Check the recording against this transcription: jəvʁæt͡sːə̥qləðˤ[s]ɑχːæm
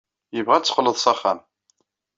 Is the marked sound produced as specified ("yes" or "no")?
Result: yes